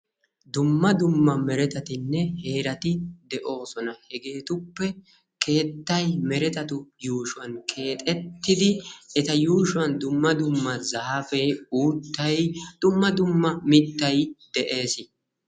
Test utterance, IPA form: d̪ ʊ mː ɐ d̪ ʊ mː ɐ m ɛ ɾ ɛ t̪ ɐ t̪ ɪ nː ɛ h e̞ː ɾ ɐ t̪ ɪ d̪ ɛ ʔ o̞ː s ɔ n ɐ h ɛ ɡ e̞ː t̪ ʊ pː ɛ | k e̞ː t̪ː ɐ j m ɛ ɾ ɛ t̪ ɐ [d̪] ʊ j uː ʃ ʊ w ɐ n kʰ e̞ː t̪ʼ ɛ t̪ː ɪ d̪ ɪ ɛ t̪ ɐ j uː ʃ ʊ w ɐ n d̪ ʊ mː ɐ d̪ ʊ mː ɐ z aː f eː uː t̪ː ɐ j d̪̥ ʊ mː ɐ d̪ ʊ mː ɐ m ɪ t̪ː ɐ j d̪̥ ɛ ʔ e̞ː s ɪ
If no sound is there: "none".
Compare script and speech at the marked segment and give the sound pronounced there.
t̪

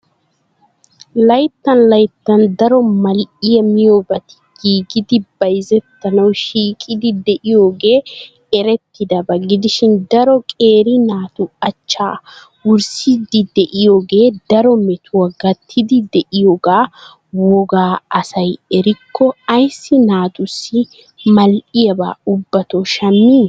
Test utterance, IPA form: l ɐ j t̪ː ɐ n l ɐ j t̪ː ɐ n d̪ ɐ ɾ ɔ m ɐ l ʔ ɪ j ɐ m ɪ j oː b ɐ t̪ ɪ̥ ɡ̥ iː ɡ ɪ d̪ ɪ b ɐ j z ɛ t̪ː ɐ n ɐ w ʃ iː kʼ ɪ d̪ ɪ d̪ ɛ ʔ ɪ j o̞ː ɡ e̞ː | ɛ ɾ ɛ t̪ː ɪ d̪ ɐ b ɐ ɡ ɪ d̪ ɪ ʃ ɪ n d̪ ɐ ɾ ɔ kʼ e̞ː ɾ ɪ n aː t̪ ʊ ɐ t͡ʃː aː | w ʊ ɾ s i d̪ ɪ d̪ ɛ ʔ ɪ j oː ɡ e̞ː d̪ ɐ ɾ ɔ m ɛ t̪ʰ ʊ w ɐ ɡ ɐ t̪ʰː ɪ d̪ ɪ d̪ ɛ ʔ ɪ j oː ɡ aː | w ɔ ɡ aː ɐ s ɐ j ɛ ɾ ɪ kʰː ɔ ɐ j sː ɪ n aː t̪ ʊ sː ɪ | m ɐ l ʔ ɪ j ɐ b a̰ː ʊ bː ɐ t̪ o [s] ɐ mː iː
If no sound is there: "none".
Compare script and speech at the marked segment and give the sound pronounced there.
ʃ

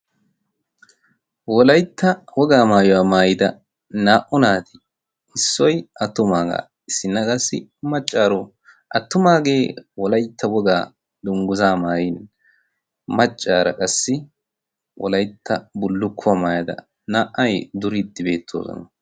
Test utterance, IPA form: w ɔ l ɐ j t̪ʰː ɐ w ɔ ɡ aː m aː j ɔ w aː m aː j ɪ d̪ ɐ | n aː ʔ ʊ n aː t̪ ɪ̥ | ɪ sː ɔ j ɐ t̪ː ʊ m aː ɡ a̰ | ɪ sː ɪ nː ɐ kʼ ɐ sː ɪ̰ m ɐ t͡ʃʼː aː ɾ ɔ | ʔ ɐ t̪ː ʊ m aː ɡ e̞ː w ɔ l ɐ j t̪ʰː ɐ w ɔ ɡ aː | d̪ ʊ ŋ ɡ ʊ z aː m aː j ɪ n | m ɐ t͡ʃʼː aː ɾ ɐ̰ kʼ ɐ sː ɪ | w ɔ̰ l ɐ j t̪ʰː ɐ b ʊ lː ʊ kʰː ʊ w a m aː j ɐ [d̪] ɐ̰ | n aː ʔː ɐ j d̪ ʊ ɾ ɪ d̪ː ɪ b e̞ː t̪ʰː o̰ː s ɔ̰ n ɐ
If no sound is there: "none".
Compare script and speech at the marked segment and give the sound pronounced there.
d̪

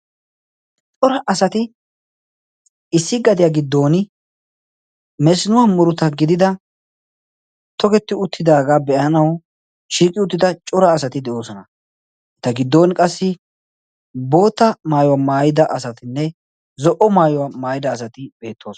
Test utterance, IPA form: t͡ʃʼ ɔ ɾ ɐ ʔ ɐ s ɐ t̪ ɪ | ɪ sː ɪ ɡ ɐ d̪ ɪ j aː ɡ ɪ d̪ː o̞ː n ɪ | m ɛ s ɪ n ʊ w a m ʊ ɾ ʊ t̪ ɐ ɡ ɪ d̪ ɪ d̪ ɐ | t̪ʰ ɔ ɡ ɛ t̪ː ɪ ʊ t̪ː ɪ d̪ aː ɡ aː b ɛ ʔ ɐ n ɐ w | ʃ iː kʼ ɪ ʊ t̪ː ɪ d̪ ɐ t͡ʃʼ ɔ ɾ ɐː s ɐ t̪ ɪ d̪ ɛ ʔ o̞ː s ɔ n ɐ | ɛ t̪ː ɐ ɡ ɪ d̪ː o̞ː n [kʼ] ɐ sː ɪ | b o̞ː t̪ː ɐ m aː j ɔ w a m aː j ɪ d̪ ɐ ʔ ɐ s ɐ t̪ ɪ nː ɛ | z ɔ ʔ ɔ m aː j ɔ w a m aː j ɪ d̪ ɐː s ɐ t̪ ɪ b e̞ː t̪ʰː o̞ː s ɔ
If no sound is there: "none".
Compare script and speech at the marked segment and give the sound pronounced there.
kʼ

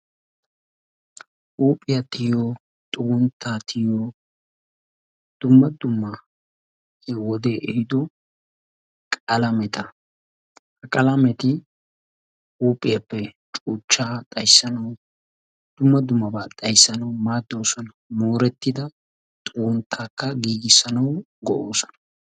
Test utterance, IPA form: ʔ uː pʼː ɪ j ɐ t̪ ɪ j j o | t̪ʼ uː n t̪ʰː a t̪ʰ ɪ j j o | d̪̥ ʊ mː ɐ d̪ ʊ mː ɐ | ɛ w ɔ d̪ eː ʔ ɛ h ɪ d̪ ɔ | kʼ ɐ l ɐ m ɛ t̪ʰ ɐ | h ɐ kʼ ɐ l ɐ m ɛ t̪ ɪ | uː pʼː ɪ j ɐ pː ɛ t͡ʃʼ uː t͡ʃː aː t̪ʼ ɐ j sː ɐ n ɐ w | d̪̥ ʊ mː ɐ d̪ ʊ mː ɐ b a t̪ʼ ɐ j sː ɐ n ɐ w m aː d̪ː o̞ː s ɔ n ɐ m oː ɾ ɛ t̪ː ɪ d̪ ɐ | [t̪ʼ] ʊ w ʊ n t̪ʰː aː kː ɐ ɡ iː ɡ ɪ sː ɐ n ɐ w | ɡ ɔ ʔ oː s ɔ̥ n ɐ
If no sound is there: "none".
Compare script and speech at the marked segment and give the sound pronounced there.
t̪ʼ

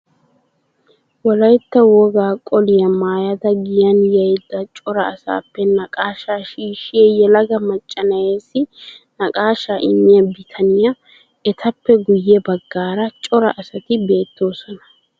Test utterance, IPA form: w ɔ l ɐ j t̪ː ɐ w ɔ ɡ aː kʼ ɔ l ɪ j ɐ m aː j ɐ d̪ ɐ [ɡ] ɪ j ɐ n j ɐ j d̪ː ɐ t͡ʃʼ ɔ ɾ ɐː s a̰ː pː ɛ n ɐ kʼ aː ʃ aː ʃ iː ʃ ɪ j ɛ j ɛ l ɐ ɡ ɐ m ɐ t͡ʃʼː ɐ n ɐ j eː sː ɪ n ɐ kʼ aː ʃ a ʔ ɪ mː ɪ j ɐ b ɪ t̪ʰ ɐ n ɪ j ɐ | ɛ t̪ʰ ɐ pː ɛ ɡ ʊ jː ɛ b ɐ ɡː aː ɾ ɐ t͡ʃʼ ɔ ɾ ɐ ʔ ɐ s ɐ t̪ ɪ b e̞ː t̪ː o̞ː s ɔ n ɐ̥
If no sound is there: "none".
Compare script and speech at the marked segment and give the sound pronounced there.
ɡ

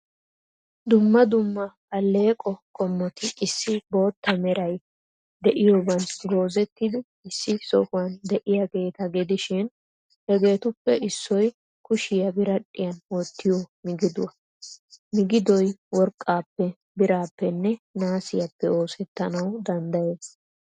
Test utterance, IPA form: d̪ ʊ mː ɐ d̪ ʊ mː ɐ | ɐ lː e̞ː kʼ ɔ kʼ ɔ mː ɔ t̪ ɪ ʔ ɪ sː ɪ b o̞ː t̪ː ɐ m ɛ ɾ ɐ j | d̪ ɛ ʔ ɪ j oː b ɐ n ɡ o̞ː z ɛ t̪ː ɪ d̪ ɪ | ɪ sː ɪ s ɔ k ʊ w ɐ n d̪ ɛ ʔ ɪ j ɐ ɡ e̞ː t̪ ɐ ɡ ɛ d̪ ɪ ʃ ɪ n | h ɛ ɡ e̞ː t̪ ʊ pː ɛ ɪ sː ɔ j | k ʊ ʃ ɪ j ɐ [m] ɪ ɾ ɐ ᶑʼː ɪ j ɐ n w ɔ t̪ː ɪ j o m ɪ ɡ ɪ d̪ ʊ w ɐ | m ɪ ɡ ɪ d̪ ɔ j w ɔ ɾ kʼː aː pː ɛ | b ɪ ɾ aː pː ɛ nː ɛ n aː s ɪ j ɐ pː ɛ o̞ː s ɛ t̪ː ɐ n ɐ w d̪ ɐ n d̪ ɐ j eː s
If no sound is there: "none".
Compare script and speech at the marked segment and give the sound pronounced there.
b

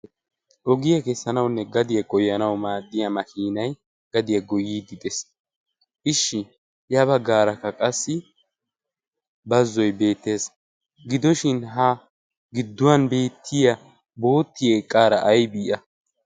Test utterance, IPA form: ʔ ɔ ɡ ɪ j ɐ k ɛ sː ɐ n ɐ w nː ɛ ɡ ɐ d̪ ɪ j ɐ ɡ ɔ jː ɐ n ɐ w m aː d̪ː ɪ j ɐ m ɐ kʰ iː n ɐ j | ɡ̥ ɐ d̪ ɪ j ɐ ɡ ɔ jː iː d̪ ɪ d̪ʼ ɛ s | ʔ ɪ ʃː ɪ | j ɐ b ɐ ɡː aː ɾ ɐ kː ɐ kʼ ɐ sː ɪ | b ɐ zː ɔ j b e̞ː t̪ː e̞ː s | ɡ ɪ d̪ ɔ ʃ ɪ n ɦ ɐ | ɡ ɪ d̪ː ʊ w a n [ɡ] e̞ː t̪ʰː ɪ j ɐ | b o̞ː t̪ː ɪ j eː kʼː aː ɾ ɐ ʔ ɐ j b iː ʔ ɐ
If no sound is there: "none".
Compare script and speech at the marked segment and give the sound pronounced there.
b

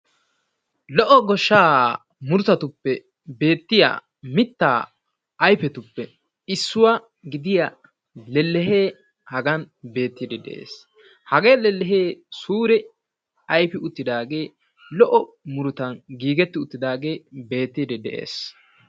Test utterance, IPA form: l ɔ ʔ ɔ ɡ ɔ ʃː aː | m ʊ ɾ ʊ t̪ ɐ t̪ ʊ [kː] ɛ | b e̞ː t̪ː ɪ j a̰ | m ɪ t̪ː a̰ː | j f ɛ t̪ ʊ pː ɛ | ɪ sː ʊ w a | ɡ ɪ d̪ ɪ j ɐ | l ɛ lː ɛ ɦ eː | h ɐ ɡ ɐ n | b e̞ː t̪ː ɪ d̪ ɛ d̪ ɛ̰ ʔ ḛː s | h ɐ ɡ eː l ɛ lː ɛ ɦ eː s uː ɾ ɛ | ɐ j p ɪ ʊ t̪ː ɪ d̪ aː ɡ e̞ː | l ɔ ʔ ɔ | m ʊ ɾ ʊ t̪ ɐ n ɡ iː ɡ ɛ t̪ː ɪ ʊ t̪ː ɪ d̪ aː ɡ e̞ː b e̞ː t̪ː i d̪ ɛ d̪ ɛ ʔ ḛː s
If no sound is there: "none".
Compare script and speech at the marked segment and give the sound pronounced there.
pː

